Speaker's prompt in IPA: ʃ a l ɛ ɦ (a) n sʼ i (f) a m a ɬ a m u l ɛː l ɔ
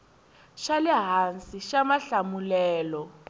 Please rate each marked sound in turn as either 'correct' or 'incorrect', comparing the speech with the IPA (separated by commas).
correct, incorrect